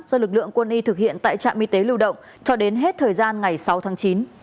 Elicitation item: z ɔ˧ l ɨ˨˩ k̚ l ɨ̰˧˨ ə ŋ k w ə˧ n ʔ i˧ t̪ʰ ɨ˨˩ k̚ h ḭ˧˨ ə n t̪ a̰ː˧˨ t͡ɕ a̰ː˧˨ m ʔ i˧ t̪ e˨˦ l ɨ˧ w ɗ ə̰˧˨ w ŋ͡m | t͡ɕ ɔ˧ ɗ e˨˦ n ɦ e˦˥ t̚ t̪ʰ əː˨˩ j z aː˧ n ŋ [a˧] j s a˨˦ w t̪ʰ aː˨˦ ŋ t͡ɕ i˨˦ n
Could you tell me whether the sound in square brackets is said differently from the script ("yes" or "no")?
yes